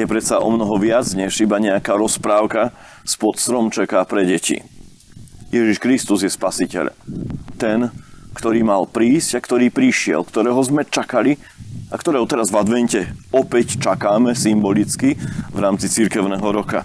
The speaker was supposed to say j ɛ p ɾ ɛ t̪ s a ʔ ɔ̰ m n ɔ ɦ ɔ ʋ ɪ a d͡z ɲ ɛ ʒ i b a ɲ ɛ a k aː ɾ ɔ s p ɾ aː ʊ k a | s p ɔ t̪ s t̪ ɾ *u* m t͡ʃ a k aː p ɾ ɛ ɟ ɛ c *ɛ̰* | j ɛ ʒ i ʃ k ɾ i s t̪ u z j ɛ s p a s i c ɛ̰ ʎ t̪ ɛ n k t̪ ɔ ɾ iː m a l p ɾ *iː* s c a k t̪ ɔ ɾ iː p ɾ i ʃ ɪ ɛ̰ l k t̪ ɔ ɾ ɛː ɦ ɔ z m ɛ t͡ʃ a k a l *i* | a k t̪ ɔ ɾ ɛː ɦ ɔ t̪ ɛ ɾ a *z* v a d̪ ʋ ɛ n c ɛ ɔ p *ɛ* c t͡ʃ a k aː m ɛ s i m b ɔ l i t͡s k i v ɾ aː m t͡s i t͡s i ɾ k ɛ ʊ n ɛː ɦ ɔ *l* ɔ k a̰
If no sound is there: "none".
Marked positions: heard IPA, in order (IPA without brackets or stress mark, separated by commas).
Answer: ɔ, ḭ, iː, i, z, ɛ, ɾ